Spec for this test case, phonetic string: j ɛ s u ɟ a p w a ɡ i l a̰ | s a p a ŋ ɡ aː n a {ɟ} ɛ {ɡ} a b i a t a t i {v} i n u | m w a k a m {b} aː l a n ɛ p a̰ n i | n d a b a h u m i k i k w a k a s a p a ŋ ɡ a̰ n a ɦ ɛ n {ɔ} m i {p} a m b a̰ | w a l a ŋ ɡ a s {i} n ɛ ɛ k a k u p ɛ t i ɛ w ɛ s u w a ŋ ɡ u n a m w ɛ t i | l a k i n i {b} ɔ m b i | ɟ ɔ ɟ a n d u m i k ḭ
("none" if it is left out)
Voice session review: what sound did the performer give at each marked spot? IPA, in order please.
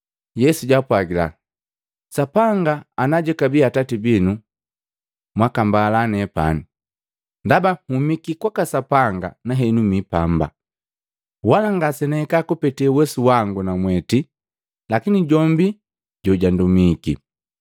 ɟ, k, b, b, u, p, ɛ, ɟ

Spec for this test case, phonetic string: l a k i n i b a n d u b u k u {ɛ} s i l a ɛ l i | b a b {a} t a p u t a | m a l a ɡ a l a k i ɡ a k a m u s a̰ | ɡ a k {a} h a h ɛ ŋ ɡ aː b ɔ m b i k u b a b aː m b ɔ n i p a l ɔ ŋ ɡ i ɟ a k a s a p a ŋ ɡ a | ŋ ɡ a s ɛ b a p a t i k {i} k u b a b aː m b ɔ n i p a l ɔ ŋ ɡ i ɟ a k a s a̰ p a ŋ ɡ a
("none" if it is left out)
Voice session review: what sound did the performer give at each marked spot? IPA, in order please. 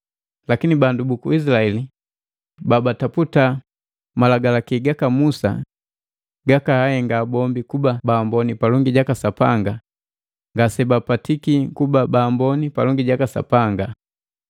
i, a, a, i

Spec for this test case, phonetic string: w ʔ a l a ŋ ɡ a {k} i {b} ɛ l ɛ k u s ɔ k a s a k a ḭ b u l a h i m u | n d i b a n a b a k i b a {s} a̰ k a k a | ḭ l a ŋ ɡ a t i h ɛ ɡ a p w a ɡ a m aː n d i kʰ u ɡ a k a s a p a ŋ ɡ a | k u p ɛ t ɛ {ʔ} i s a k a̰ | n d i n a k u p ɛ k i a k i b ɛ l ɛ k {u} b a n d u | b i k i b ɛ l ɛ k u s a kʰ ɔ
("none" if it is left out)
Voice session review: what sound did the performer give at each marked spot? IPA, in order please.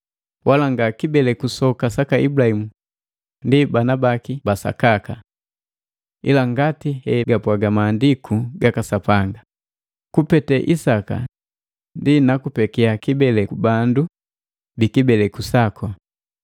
k, b, s, ʔ, u

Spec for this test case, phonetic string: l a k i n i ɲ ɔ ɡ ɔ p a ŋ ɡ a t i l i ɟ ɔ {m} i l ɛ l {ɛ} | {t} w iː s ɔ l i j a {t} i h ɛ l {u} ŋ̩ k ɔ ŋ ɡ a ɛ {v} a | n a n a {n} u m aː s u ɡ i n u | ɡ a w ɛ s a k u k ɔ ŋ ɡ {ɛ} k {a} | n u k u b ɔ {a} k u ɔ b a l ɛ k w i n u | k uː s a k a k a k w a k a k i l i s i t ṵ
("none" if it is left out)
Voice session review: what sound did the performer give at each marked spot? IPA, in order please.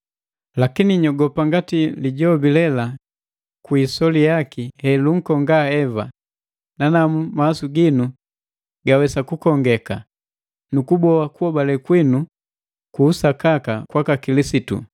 b, a, k, k, u, v, m, ɛ, a, a

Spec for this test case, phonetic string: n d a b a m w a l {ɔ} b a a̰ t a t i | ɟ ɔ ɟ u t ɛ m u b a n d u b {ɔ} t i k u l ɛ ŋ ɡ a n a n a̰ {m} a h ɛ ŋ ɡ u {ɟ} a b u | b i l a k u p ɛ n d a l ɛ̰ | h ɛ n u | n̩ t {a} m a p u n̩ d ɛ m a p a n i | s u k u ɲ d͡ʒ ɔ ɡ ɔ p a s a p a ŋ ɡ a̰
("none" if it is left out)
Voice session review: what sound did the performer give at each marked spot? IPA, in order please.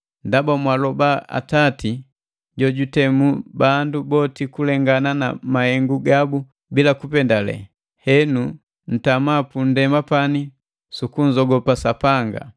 ɔ, ɔ, m, ɡ, a

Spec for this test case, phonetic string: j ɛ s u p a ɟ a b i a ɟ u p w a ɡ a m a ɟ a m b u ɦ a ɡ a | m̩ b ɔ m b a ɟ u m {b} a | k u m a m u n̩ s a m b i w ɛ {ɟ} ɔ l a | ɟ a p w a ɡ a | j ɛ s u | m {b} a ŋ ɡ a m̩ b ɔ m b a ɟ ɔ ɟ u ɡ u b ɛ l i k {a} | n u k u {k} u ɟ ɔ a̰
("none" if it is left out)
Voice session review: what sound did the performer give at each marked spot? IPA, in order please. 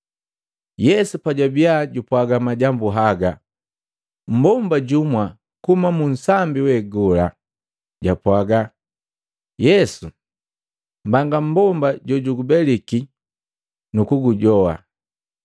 w, ɡ, b, i, ɡ

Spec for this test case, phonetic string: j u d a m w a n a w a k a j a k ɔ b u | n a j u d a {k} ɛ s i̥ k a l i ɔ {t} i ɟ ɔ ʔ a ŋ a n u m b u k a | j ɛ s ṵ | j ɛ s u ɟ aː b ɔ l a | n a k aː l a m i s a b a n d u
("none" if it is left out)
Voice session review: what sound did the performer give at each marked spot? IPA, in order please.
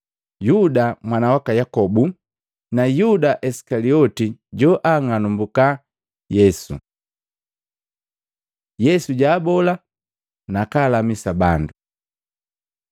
ʔ, t

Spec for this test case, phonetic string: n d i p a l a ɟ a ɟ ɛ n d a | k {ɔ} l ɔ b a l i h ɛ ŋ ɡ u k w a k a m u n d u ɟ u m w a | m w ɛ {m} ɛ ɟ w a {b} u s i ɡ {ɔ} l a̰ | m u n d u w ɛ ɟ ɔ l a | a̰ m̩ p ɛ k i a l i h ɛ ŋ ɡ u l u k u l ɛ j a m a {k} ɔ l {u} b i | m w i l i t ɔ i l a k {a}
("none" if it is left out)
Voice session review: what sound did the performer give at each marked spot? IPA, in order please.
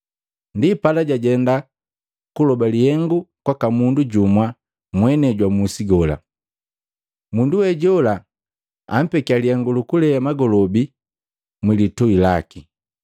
u, n, m, ɔ, ɡ, ɔ, i

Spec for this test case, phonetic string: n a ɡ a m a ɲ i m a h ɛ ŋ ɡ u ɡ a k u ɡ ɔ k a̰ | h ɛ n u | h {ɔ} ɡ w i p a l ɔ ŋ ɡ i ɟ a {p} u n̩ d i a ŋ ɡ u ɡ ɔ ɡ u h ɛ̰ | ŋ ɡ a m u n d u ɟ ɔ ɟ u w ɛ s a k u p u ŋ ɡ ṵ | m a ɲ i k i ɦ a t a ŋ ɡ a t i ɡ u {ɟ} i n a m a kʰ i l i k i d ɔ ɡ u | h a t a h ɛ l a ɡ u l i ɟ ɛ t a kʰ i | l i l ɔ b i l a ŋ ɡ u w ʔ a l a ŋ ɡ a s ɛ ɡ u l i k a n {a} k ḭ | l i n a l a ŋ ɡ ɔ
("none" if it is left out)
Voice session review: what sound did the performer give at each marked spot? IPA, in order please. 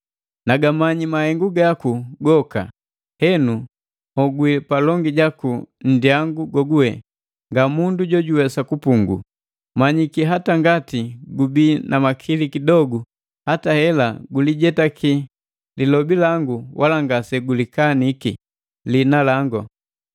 ɔ, k, b, i

